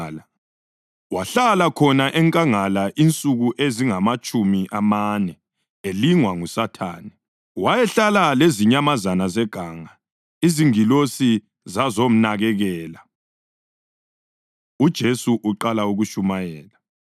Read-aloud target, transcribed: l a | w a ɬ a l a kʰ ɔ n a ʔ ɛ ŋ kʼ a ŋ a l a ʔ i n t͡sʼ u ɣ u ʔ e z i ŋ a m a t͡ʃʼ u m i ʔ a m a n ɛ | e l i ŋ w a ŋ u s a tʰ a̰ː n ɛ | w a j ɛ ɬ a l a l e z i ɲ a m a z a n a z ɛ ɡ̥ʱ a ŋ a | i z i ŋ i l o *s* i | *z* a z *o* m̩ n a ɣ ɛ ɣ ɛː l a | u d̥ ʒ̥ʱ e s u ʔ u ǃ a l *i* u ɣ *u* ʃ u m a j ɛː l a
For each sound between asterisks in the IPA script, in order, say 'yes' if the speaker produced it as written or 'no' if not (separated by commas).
yes, yes, yes, no, yes